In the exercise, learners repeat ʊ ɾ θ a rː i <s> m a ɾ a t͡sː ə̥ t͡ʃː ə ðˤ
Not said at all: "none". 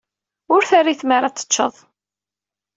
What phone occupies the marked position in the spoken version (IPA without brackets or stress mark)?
θ